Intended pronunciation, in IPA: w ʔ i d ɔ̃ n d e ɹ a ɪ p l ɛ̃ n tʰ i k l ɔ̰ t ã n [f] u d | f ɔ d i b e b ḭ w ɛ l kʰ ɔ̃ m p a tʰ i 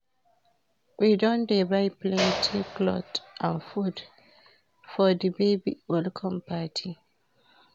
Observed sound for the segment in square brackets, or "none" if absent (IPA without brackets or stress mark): f